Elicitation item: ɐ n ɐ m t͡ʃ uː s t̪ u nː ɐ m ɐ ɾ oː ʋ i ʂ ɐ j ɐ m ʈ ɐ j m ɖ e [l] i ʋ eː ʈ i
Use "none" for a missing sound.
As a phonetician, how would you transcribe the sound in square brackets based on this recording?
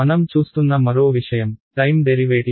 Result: ɾ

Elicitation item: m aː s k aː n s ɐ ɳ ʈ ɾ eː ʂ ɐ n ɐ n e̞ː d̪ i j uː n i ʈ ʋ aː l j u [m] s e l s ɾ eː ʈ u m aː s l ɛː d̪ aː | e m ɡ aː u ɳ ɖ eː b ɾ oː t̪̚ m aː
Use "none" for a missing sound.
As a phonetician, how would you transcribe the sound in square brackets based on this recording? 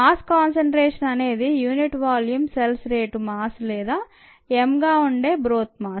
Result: m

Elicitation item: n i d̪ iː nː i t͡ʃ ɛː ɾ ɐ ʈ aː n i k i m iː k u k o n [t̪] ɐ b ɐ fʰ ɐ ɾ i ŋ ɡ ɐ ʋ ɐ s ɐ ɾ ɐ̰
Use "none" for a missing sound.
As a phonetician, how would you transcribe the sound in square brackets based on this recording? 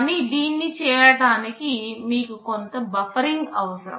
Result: t̪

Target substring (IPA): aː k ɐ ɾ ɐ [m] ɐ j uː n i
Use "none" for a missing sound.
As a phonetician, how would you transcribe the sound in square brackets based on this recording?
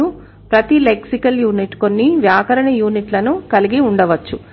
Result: ɳ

